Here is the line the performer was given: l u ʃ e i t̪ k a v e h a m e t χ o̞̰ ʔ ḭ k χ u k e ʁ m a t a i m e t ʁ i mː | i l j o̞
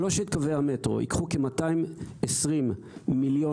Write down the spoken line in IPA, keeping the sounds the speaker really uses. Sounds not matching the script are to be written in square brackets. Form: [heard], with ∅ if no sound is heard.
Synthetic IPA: l [o] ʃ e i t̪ k a v e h a m e t [ʁ] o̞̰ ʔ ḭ k χ u k e [∅] m a t a i m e [s] ʁ i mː | i l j o̞